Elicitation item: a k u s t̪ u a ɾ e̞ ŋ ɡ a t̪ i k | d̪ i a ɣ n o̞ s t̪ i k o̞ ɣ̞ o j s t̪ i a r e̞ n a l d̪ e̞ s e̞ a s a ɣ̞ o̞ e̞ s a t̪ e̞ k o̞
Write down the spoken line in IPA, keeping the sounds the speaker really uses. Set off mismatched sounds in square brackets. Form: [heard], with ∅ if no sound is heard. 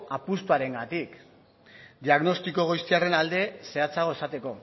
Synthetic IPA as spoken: a [p] u s t̪ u a ɾ e̞ ŋ ɡ a t̪ i k | d̪ i a ɣ n o̞ s t̪ i k o̞ ɣ̞ o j s t̪ i a r e̞ n a l d̪ e̞ s e̞ a [t͡s] a ɣ̞ o̞ e̞ s a t̪ e̞ k o̞

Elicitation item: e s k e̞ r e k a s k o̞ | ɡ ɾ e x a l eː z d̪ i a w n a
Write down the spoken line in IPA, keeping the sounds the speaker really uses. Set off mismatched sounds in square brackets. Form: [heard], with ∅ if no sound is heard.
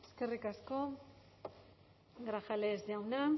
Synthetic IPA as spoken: e s k e̞ r [i] k a s k o̞ | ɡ ɾ [a] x a l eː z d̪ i a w n a

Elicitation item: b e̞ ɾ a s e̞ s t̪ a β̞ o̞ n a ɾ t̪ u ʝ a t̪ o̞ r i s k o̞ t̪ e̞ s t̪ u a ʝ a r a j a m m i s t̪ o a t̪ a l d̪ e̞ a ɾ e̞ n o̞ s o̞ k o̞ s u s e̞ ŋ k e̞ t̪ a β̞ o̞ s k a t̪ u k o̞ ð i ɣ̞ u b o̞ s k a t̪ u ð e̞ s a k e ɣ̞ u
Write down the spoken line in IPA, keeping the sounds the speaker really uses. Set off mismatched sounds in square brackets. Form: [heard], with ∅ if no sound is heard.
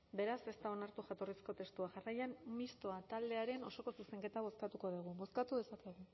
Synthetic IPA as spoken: b e̞ ɾ a s e̞ s t̪ a [∅] o̞ n a ɾ t̪ u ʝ a t̪ o̞ r i s k o̞ t̪ e̞ s t̪ u a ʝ a r a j a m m i s t̪ o a t̪ a l d̪ e̞ a ɾ e̞ n o̞ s o̞ k o̞ s u s e̞ ŋ k e̞ t̪ a β̞ o̞ s k a t̪ u k o̞ ð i ɣ̞ u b o̞ s k a t̪ u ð e̞ s a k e ɣ̞ u

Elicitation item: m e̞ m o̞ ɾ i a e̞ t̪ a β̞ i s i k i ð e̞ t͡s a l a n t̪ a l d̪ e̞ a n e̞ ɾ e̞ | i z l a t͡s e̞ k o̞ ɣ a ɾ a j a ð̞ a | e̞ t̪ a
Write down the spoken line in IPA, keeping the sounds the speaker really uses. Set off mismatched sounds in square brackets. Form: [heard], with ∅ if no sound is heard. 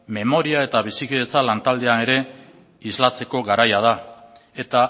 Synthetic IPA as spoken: m e̞ m o̞ ɾ i a e̞ t̪ a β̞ i s i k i ð e̞ t͡s a l a n t̪ a l d̪ e̞ a n e̞ ɾ e̞ | i z l a t͡s e̞ k o̞ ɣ a ɾ a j a ð̞ a | e̞ t̪ a

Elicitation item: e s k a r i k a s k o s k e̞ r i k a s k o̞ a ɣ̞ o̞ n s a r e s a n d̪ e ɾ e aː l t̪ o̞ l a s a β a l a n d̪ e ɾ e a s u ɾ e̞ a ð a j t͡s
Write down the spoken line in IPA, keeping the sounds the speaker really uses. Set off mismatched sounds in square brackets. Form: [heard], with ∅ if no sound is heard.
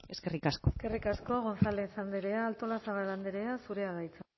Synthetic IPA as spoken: e s k [e] r i k a s k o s k e̞ r i k a s k o̞ a ɣ̞ o̞ n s a [l] e s a n d̪ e ɾ e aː l t̪ o̞ l a s a β a l a n d̪ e ɾ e a s u ɾ e̞ a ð a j t͡s

